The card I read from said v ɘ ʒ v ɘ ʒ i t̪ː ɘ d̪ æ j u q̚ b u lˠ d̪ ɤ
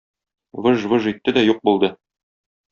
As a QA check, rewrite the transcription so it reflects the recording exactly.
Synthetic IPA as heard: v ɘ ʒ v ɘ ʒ i t̪ː ɘ d̪ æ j u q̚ b u lˠ d̪ ɤ